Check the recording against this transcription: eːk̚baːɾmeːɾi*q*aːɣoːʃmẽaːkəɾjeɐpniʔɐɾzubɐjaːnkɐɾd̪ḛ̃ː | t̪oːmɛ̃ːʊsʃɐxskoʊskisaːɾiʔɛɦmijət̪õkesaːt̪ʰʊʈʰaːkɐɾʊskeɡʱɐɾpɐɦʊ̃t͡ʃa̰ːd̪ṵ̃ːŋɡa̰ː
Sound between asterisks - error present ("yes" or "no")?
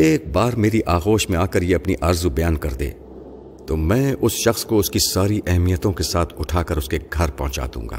yes